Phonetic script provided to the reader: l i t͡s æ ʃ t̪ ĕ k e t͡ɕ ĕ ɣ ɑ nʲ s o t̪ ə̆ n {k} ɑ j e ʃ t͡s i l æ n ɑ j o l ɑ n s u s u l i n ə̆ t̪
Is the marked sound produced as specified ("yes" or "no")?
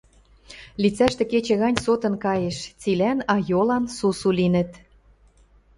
yes